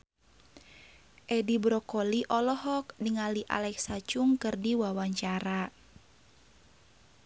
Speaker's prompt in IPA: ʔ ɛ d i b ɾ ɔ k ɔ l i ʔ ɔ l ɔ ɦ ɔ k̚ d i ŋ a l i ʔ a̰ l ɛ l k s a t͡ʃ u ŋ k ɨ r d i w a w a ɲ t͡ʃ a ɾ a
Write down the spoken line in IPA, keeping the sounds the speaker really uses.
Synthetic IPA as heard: ʔ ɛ d i b ɾ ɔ k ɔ l i ʔ ɔ l ɔ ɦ ɔ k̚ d i ŋ a l i ʔ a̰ l ɛ k s a t͡ʃ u ŋ k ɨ r d i w a w a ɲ t͡ʃ a ɾ a

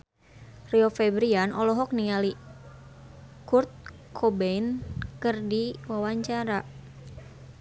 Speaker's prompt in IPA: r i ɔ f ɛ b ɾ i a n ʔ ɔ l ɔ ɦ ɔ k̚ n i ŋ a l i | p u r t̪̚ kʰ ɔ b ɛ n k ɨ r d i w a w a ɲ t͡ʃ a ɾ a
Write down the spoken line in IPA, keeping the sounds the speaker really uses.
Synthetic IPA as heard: r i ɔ f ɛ b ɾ i a n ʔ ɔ l ɔ ɦ ɔ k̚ n i ŋ a l i | k u r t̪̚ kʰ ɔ b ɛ n k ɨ r d i w a w a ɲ t͡ʃ a ɾ a

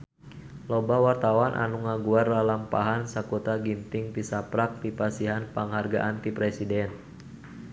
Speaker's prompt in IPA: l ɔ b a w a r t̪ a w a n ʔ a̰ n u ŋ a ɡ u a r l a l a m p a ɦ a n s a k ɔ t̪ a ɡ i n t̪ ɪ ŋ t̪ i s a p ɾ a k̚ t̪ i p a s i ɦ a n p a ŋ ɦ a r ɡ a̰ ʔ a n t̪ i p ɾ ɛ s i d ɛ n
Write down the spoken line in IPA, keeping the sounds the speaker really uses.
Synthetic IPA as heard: l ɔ b a w a r t̪ a w a n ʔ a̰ n u ŋ a ɡ u a r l a l a m p a ɦ a n s a k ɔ t̪ a ɡ i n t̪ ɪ ŋ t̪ i s a p ɾ a k̚ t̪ i p a s i ɦ a n p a ŋ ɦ a r ɡ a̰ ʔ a n t̪ i p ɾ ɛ s i d ɛ n

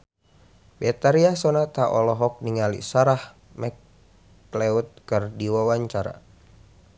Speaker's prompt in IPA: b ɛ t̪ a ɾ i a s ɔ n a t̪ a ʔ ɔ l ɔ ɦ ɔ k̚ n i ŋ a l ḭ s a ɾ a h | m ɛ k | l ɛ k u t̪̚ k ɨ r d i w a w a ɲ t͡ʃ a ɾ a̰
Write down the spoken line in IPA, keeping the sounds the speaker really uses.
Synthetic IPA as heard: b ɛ t̪ a ɾ i a s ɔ n a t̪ a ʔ ɔ l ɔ ɦ ɔ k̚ n i ŋ a l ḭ s a ɾ a h | m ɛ k | l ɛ u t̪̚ k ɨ r d i w a w a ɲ t͡ʃ a ɾ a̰

